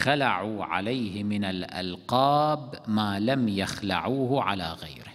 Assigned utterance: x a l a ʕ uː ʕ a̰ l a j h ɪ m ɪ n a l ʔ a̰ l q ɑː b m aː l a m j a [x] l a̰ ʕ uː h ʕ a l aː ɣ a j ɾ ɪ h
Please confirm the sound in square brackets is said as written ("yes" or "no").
yes